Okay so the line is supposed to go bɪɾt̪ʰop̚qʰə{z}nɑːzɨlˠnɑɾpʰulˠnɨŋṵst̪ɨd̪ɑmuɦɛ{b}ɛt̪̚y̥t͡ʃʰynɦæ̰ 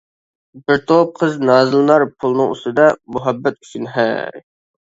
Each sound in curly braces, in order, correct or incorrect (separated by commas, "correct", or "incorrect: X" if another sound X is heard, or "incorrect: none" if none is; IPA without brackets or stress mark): correct, incorrect: bː